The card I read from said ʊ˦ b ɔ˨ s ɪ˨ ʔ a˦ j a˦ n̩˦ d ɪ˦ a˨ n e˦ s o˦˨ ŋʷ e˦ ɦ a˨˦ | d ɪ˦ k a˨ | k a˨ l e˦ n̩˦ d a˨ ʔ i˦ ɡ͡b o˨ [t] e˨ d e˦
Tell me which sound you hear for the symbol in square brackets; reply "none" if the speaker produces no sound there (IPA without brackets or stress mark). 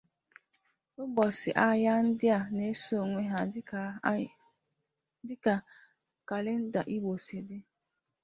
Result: s